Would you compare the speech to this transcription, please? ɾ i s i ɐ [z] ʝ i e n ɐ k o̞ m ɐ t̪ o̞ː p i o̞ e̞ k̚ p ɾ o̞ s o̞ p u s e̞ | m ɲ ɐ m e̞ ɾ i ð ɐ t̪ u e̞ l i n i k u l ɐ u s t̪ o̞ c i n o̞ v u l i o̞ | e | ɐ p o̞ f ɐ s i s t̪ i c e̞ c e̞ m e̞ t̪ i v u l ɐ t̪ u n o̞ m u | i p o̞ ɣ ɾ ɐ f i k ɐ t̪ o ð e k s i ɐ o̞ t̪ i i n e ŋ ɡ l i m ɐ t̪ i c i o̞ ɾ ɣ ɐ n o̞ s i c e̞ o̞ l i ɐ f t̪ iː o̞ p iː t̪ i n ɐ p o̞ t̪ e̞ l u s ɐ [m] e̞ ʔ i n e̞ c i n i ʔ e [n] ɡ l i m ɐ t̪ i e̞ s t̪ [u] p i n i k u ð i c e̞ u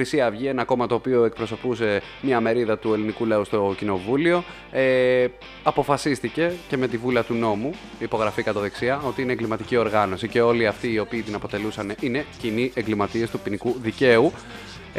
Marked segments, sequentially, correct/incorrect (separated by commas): incorrect, incorrect, incorrect, correct